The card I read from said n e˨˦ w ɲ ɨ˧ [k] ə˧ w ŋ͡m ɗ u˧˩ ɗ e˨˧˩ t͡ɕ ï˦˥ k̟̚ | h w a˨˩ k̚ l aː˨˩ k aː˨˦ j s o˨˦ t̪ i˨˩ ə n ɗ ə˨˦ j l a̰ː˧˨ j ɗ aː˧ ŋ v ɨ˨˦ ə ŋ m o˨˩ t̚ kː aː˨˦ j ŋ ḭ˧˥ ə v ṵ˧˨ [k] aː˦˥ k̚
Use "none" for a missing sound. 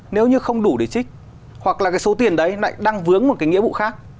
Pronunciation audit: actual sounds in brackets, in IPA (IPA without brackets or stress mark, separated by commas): x, x